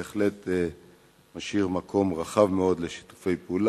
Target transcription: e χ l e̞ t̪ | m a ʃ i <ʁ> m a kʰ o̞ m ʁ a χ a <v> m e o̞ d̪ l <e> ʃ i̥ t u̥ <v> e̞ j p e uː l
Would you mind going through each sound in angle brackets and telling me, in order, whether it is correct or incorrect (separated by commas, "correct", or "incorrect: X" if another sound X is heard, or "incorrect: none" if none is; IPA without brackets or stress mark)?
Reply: correct, correct, correct, incorrect: f